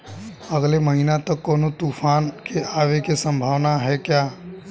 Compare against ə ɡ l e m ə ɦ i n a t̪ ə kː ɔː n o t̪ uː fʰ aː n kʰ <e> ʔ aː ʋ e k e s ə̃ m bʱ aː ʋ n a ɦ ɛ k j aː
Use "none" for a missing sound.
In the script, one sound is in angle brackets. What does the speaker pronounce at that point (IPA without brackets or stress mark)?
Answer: e